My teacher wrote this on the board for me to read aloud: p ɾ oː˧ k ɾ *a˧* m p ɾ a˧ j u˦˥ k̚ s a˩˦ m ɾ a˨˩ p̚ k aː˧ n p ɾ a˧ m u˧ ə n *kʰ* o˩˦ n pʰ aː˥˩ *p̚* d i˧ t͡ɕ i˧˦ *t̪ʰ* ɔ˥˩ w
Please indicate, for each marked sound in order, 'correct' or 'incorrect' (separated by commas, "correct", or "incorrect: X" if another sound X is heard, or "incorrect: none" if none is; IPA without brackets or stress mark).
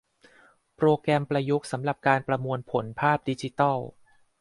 incorrect: ɛ˧, incorrect: pʰ, correct, incorrect: t̪